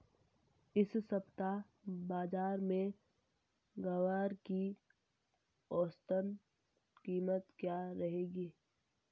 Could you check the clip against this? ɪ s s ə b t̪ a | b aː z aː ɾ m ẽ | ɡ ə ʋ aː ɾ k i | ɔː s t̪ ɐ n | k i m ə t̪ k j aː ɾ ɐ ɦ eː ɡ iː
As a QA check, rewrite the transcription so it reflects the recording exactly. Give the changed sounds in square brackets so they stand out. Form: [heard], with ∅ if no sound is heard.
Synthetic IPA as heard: ɪ s s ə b t̪ a | b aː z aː ɾ m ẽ | ɡ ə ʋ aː ɾ k i | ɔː s t̪ [ə] n | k [iː] m ə t̪ k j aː ɾ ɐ ɦ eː ɡ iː